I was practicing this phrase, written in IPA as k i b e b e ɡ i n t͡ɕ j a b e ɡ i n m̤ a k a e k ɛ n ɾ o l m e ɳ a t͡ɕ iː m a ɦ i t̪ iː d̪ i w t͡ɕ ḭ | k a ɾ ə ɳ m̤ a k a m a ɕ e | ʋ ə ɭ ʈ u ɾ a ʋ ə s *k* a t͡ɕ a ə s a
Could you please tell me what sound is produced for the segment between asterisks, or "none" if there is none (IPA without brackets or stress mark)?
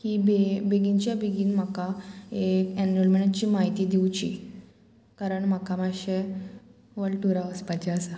p